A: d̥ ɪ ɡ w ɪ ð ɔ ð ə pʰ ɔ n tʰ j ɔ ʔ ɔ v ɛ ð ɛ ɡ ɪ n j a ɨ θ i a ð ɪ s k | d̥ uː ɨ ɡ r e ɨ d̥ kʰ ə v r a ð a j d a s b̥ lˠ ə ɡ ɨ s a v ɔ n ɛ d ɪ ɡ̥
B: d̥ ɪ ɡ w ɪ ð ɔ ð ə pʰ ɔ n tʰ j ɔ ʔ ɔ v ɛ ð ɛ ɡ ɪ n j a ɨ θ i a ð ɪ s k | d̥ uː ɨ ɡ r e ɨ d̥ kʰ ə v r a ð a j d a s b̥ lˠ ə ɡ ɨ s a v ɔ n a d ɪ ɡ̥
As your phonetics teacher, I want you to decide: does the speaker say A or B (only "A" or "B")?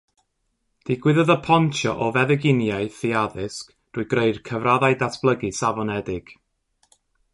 A